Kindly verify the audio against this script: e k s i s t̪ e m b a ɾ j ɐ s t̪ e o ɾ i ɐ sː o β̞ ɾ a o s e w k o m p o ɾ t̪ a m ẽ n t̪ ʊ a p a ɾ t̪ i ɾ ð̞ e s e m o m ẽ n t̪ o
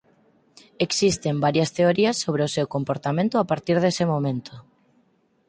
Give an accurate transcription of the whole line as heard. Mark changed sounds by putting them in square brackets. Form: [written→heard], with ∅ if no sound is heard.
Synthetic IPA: e k s i s t̪ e m b a ɾ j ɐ s t̪ e o ɾ i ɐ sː o β̞ ɾ [a→e] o s e w k o m p o ɾ t̪ a m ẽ n t̪ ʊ a p a ɾ t̪ i ɾ ð̞ e s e m o m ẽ n t̪ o